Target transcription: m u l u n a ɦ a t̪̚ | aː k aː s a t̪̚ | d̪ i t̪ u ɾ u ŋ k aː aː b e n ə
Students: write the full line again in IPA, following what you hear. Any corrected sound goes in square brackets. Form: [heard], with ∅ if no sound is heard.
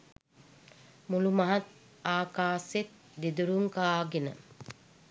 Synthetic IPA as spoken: m u l u [m] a ɦ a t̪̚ | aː k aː s [e] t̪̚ | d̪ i [d̪] u ɾ u ŋ k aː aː [ɡ] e n ə